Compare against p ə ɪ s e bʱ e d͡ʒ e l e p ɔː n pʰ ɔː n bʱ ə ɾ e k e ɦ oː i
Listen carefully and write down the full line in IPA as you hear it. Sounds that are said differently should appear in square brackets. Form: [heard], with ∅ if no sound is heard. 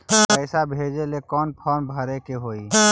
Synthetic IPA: p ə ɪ s [a] bʱ e d͡ʒ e l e [k] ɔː n pʰ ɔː n bʱ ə ɾ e k e ɦ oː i